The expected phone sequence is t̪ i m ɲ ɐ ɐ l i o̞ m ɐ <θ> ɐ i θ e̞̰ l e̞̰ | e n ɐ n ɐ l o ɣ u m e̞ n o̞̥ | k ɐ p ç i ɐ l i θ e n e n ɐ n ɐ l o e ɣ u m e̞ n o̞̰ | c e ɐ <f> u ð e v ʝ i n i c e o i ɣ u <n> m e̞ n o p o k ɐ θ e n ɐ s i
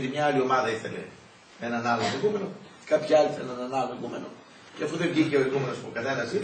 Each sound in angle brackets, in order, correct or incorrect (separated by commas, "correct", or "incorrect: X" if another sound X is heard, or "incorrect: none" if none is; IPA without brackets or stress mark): incorrect: ð, correct, incorrect: none